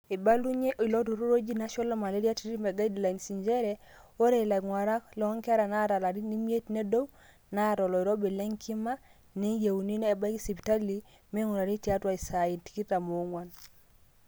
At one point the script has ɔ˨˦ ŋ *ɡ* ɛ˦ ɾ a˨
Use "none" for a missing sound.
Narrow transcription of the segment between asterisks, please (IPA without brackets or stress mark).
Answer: k